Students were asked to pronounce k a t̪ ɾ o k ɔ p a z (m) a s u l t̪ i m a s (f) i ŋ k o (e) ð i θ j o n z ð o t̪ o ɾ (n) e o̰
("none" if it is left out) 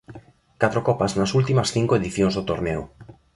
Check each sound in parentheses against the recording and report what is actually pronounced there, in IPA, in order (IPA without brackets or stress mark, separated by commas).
n, θ, e, n